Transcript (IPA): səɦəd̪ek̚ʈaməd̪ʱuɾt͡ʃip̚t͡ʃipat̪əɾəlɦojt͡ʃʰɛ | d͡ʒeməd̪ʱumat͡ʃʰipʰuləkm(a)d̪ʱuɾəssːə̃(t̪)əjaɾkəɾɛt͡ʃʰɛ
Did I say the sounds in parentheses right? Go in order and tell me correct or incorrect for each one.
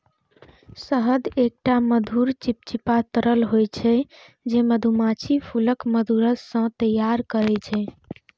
incorrect: ə, correct

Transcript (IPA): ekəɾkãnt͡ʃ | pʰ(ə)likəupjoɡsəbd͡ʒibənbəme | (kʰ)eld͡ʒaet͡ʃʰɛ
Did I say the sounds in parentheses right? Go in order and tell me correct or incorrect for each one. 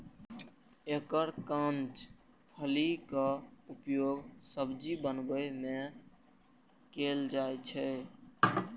correct, incorrect: k

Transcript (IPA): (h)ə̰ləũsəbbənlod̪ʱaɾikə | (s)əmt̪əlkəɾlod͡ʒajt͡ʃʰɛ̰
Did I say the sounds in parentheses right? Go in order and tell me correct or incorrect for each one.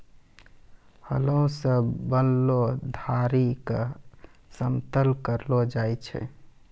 correct, correct

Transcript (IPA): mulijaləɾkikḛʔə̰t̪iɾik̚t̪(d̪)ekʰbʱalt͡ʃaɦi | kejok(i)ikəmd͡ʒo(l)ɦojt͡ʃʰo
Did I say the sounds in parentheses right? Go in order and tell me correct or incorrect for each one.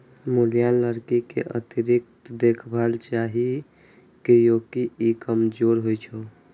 correct, correct, incorrect: ɾ

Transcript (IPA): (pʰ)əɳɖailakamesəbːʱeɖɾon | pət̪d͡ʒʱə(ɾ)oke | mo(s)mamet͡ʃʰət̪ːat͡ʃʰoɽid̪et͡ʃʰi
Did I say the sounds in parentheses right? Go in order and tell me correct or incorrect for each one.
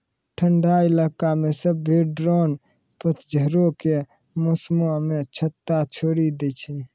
incorrect: ʈʰ, correct, correct

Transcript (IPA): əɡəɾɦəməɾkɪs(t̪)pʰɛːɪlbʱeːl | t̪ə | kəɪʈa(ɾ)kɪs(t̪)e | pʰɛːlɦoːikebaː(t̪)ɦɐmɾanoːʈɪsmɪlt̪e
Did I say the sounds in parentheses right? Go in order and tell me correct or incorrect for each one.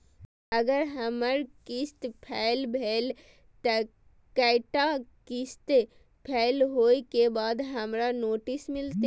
correct, incorrect: none, correct, incorrect: d̪

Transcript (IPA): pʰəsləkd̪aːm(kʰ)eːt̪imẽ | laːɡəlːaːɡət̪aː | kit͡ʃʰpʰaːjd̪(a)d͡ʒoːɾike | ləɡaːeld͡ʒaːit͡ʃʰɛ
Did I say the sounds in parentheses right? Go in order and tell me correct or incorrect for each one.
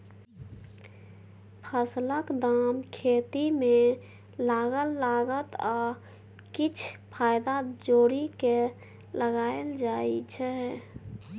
correct, correct

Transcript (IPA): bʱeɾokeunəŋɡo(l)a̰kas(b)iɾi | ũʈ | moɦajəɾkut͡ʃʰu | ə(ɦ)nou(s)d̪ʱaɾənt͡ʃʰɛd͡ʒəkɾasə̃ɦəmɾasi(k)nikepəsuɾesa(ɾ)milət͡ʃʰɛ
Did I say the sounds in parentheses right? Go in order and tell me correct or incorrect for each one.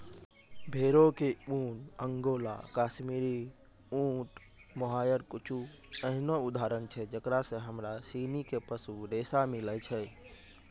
correct, incorrect: m, correct, incorrect: none, incorrect: none, incorrect: none

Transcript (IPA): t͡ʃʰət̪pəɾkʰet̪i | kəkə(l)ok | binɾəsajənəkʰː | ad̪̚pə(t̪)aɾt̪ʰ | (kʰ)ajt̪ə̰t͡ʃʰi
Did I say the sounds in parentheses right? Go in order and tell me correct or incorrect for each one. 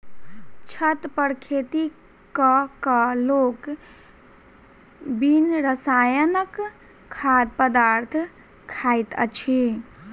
correct, incorrect: d̪, correct

